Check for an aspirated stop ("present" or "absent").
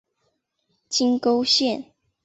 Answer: absent